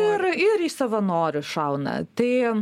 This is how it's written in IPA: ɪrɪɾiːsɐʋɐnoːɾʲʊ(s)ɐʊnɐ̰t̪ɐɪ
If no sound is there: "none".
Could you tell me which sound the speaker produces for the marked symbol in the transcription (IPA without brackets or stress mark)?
ʃ